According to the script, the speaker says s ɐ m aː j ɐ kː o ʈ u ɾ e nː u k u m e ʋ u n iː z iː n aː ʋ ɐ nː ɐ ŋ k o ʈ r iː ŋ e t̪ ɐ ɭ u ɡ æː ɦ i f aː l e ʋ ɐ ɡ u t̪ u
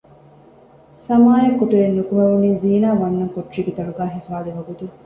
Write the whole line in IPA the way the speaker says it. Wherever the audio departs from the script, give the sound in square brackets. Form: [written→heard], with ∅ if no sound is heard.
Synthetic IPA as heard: s ɐ m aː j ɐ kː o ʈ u ɾ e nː u k u m e ʋ u n iː z iː n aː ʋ ɐ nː ɐ ŋ k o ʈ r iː [ŋ→ɡ] e t̪ ɐ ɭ u ɡ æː ɦ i f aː l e ʋ ɐ ɡ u t̪ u